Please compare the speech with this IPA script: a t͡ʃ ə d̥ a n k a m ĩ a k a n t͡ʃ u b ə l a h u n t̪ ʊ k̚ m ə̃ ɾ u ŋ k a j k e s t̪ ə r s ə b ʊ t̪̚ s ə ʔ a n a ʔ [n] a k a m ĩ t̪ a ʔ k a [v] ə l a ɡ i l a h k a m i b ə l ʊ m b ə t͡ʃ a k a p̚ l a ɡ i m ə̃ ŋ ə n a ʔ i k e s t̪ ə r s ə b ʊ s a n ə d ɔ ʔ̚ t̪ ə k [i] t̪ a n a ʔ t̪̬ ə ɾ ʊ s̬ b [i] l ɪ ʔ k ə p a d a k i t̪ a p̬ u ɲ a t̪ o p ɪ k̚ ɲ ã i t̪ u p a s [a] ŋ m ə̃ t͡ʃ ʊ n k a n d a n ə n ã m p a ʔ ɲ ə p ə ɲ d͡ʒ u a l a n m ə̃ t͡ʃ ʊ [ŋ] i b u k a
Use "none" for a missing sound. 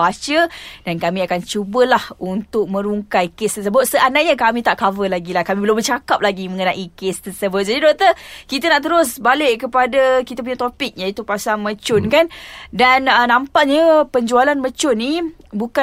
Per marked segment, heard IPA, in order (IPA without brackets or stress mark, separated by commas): ɲ, v, i, a, a, n